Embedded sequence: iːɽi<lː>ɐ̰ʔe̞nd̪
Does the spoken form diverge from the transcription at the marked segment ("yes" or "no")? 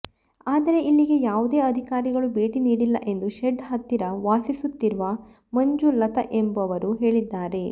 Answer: no